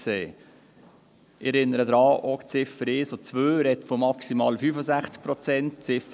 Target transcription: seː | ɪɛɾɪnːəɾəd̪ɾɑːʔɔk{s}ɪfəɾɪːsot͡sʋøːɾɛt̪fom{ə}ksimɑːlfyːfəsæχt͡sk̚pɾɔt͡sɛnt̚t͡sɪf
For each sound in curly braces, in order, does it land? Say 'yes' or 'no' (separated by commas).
no, no